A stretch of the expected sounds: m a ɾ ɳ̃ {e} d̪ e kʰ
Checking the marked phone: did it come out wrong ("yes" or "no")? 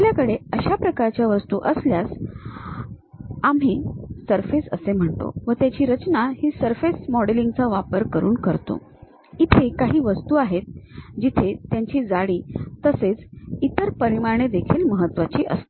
no